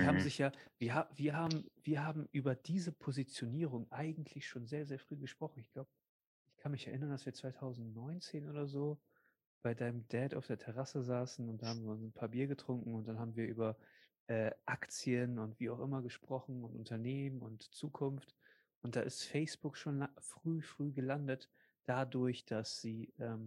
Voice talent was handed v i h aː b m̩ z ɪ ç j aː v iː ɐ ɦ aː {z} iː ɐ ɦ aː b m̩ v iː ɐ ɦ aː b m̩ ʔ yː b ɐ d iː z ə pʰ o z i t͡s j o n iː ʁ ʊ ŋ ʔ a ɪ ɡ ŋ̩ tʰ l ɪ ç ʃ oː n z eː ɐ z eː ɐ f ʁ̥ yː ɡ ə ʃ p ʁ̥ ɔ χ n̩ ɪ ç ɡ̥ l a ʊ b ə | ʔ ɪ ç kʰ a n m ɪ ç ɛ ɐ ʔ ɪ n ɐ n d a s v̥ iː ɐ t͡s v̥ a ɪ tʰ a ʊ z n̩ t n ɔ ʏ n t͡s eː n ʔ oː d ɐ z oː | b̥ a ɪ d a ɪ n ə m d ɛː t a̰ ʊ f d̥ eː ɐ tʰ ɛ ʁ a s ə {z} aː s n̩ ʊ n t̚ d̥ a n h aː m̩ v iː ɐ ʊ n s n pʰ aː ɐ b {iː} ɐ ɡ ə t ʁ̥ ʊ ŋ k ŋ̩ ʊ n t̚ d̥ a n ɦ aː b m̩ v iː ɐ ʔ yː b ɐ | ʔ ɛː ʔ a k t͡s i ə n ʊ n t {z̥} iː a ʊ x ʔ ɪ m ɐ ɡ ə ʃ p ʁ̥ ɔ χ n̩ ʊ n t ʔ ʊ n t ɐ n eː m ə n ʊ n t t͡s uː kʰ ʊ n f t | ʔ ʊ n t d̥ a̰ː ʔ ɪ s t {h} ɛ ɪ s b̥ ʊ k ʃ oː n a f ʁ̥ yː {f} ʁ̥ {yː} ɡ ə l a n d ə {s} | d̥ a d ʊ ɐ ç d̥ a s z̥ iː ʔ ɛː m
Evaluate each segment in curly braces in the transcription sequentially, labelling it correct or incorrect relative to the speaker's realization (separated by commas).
incorrect, correct, correct, incorrect, incorrect, correct, correct, incorrect